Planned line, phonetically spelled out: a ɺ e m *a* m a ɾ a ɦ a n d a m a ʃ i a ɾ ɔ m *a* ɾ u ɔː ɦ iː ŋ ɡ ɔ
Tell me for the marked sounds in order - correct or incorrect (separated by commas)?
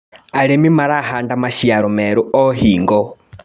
incorrect, incorrect